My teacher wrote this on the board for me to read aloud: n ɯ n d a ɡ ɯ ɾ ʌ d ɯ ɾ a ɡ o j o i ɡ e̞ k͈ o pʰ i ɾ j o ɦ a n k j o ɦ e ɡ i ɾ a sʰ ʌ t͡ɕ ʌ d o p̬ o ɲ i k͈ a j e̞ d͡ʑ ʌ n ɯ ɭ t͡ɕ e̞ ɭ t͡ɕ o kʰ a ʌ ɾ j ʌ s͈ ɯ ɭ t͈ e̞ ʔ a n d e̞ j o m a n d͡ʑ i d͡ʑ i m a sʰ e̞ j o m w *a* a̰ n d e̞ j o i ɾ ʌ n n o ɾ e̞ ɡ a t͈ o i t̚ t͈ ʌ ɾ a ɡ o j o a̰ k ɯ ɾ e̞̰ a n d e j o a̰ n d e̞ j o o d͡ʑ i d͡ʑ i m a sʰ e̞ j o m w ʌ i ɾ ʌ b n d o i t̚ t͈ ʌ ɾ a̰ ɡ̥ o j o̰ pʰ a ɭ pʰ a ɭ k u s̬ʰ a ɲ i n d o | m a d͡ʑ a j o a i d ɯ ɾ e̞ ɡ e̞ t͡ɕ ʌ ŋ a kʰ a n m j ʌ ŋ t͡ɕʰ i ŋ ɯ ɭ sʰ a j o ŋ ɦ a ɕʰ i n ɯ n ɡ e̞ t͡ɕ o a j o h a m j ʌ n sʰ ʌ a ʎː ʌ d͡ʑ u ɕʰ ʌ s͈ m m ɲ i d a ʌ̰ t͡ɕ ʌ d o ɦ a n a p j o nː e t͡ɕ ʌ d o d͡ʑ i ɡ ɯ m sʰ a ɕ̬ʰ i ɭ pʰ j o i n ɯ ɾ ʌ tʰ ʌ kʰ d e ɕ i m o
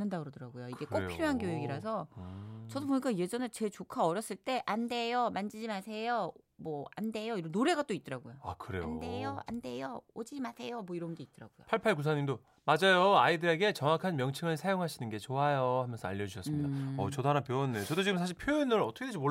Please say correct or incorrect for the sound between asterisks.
incorrect